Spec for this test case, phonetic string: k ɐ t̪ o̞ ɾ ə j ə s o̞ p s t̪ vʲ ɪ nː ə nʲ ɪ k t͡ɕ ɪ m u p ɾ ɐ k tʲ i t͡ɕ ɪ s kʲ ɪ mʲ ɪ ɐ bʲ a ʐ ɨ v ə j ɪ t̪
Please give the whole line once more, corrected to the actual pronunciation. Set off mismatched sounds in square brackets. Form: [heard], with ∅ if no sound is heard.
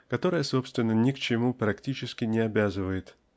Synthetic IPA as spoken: k ɐ t̪ o̞ ɾ ə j ə s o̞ p s t̪ vʲ ɪ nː ə nʲ ɪ k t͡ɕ ɪ m u p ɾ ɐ k tʲ i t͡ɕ ɪ s kʲ ɪ [nʲ] ɪ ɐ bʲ a [z] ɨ v ə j ɪ t̪